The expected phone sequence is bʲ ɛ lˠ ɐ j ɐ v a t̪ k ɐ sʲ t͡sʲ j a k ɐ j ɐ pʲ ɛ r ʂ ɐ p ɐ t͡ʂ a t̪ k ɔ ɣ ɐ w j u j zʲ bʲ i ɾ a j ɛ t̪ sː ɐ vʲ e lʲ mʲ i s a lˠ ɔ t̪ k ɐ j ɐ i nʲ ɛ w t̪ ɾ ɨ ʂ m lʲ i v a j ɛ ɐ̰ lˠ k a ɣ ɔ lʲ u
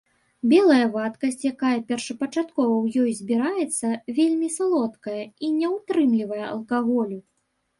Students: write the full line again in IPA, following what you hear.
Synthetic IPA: bʲ ɛ lˠ ɐ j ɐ v a t̪ k ɐ sʲ t͡sʲ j a k a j ɐ pʲ ɛ r ʂ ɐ p ɐ t͡ʂ a t̪ k ɔ v ɐ w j ɔ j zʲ bʲ i ɾ a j ɛ t̪ sː ɐ vʲ e lʲ mʲ i s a lˠ ɔ t̪ k ɐ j ɐ i nʲ ɛ w t̪ ɾ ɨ m lʲ i v ɐ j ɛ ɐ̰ lˠ k a ɣ ɔ lʲ u